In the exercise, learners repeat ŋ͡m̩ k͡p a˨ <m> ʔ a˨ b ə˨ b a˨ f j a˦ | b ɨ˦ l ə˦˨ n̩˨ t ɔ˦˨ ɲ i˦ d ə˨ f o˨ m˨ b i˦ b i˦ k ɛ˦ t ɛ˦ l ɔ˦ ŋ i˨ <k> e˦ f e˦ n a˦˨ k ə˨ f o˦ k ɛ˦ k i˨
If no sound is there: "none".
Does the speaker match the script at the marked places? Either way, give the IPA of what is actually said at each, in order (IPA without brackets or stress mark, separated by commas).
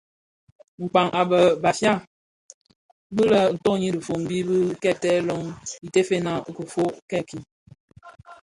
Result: ŋ, t